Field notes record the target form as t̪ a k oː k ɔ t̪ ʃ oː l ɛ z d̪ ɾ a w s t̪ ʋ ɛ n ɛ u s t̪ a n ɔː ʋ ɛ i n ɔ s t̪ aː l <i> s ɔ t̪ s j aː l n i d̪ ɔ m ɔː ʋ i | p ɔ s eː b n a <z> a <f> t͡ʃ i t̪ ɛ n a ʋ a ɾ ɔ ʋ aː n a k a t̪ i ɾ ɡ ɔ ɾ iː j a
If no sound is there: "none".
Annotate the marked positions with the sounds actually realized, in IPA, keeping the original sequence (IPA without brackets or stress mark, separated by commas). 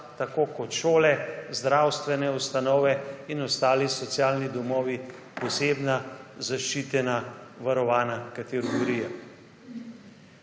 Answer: i, z, ʃ